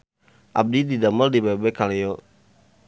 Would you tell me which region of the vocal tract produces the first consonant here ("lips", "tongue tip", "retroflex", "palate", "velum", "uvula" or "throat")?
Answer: throat